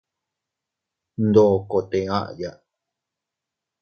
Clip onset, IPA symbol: n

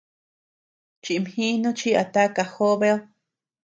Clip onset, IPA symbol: t͡ʃ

